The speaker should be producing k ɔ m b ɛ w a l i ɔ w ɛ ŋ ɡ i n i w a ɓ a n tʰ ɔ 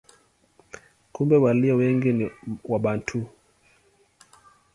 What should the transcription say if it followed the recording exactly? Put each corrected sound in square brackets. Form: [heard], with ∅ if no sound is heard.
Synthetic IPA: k [u] m b ɛ w a l i ɔ w ɛ ŋ ɡ i n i w a ɓ a n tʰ [u]